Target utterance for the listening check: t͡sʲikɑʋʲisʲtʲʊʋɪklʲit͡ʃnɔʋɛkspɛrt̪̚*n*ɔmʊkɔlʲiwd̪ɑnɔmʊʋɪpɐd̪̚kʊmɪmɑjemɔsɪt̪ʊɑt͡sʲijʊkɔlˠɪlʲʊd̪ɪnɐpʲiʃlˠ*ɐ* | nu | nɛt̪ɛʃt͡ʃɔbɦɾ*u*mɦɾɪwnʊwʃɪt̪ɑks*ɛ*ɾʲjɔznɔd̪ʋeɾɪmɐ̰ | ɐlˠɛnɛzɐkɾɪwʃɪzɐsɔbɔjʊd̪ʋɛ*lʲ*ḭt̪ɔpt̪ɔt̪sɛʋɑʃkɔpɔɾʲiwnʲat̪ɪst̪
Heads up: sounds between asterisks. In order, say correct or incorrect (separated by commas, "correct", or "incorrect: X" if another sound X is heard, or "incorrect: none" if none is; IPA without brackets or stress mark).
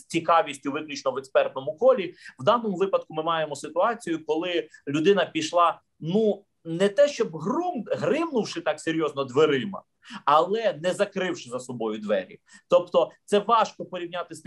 correct, incorrect: ɑ, correct, incorrect: e, incorrect: ɾʲ